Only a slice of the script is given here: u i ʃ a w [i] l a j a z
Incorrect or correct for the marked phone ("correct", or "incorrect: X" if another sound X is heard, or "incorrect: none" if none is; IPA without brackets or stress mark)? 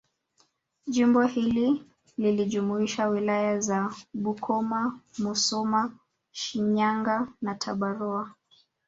correct